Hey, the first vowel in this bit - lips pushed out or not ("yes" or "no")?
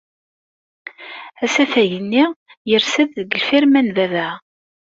no